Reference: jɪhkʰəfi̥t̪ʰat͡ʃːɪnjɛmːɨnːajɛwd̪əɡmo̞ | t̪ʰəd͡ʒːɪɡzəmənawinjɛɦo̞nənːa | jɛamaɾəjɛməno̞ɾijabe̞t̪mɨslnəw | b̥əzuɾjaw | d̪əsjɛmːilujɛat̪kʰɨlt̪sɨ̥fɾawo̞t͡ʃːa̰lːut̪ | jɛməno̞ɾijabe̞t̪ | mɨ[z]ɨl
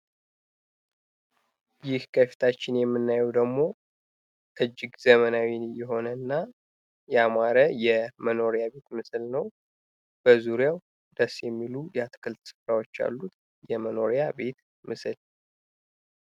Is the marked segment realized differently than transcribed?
yes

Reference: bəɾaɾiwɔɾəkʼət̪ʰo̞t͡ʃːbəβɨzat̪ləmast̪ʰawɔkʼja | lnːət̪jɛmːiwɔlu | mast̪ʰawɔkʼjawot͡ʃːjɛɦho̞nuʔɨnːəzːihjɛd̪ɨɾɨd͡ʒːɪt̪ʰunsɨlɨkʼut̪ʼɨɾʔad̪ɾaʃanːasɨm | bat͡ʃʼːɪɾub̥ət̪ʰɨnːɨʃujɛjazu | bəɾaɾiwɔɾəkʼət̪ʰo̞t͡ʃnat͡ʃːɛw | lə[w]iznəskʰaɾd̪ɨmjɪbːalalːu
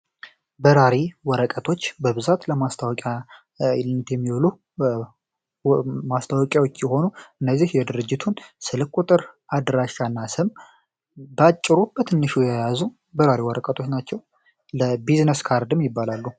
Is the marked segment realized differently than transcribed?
yes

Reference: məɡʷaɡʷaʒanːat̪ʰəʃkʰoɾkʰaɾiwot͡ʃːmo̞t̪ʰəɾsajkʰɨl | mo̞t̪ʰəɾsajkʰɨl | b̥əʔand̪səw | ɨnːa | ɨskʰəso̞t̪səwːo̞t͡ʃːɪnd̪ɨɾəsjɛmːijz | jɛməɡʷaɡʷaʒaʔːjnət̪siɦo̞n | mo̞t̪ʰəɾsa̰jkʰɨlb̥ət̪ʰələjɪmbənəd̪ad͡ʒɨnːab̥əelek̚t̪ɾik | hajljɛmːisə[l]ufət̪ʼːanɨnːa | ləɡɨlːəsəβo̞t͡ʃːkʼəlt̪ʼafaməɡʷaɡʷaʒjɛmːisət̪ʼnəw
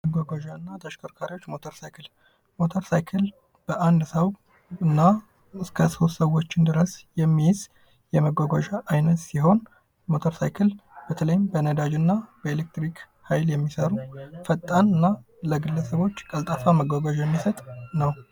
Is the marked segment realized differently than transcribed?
yes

